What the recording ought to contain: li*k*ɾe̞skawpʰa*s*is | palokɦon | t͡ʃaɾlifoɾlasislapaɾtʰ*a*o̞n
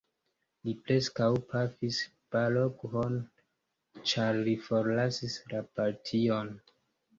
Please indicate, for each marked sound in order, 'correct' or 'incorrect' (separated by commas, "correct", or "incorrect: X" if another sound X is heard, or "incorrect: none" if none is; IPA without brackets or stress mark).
incorrect: p, incorrect: f, incorrect: i